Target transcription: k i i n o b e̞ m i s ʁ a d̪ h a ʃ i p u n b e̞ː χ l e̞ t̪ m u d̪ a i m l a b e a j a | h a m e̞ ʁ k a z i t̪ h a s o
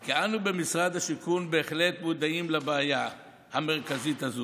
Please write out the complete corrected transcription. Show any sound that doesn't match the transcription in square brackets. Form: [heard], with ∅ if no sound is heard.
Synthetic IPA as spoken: k i [a] n [u] b e̞ m i s ʁ a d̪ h a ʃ i [k] u n b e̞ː χ l e̞ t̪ m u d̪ a i m l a b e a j a | h a m e̞ ʁ k a z i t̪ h a [z] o